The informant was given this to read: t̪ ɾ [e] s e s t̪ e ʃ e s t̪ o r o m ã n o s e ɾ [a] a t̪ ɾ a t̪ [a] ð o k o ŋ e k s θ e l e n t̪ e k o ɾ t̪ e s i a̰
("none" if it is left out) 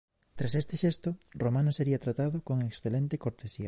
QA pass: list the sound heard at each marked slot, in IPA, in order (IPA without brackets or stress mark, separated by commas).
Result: a, i, a